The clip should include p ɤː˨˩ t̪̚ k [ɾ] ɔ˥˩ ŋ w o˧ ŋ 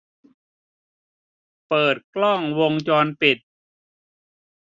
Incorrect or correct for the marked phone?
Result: incorrect: l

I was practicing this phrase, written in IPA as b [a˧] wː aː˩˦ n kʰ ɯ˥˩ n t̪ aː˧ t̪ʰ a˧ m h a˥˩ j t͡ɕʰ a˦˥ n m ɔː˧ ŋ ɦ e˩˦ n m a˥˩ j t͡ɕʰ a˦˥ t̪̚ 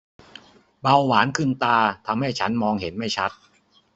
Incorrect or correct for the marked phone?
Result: correct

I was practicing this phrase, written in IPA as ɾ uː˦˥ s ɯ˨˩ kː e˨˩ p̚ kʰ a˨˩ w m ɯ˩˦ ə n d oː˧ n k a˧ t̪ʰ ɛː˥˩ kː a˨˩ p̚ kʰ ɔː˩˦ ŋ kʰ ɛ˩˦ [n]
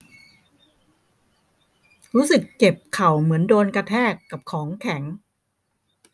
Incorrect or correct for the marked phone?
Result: incorrect: ŋ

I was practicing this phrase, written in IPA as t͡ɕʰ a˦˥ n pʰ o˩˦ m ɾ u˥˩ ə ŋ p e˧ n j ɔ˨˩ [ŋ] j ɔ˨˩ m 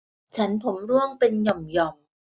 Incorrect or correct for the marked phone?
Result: incorrect: m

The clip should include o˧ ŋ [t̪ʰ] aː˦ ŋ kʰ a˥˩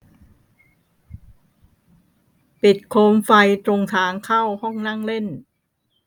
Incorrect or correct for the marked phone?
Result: correct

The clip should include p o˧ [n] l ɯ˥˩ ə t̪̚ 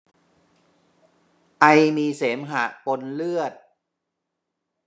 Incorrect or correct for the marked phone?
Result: correct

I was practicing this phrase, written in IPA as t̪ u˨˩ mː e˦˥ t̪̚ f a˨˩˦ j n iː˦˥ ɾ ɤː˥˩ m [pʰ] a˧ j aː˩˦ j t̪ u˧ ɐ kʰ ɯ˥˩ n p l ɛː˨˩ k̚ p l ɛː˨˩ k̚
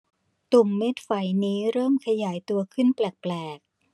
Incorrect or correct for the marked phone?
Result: incorrect: kʰ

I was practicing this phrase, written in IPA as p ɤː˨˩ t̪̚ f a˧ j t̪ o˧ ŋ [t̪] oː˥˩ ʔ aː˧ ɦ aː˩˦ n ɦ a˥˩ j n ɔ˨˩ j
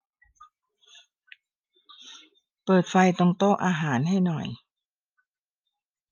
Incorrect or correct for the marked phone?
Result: correct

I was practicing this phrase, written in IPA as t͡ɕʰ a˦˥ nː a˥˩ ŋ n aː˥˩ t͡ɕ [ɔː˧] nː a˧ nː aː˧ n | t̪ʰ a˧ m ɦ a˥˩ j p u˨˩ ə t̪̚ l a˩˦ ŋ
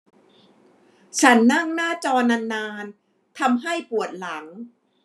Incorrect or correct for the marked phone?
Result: correct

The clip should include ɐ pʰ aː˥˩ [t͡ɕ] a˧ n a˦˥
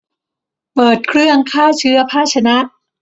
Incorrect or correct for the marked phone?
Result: incorrect: t͡ɕʰ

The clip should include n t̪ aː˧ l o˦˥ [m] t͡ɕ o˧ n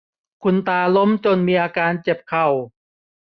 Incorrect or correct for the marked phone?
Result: correct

